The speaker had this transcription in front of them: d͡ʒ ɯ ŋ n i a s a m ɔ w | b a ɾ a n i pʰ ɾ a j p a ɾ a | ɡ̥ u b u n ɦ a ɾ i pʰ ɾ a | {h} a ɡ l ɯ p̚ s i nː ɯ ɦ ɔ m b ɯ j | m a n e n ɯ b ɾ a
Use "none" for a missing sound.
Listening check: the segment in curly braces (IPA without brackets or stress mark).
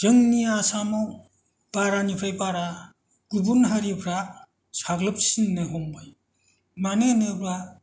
s